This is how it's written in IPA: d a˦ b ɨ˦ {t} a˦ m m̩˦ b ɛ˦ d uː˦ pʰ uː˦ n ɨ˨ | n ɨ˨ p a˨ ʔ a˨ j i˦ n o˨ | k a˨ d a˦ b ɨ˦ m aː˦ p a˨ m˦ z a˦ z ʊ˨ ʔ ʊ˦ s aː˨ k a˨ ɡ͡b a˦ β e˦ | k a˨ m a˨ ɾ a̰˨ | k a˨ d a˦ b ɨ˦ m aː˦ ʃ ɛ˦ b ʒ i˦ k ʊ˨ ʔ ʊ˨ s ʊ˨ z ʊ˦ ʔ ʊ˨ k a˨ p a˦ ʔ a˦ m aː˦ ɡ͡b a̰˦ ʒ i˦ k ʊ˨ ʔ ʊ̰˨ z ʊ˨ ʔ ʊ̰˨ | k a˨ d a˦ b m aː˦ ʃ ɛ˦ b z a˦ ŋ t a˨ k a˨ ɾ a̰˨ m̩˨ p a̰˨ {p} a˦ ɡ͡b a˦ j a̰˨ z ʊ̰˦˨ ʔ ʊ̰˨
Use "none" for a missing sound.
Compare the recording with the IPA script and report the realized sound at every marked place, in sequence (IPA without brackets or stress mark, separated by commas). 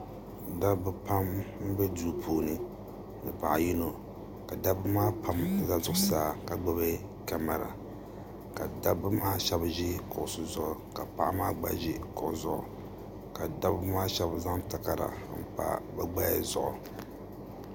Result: p, b